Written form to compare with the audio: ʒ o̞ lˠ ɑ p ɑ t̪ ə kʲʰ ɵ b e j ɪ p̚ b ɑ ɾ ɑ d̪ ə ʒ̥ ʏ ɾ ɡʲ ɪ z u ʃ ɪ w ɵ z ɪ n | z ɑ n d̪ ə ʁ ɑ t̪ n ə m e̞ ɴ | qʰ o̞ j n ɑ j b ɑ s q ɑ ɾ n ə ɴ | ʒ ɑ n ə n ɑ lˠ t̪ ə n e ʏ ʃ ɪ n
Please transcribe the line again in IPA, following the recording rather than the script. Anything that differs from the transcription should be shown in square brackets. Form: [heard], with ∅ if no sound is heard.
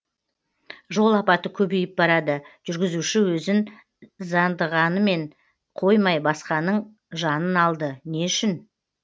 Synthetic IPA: ʒ o̞ lˠ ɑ p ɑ t̪ ə kʲʰ ɵ b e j ɪ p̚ b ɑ ɾ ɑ d̪ ə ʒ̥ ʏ ɾ ɡʲ ɪ z u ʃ ɪ w ɵ z ɪ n | z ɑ n d̪ ə ʁ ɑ [∅] n ə m e̞ ɴ | qʰ o̞ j [m] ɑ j b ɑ s q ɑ [∅] n ə ɴ | ʒ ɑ n ə n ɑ lˠ [d̪] ə n e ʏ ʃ ɪ n